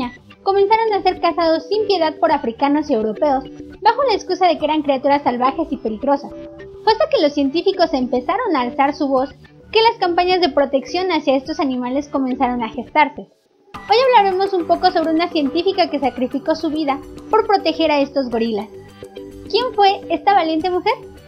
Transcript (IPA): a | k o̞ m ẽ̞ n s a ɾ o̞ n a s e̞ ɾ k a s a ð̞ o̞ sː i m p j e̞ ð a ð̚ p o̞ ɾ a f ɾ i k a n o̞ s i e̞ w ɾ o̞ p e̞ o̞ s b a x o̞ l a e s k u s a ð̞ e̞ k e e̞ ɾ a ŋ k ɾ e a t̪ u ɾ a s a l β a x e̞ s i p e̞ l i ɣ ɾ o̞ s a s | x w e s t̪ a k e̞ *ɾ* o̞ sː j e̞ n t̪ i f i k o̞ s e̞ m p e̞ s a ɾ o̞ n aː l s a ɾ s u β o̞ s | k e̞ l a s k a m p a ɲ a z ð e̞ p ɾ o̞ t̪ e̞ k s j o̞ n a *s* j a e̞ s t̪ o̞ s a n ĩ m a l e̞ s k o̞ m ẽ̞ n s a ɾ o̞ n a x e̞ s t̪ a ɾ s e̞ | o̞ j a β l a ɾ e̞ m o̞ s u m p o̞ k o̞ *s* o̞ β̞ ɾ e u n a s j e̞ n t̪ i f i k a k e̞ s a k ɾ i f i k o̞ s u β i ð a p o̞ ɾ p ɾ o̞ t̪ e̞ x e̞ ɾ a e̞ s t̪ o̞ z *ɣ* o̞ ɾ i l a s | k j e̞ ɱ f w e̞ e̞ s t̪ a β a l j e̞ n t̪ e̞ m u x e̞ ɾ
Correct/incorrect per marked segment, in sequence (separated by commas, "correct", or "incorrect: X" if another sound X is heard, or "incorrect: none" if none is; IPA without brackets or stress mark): incorrect: l, correct, correct, correct